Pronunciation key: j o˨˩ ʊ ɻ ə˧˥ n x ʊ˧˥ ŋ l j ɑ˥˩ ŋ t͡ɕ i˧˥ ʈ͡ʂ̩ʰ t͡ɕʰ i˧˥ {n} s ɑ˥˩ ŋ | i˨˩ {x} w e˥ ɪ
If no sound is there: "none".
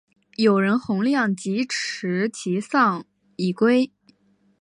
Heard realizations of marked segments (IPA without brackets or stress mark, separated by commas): none, k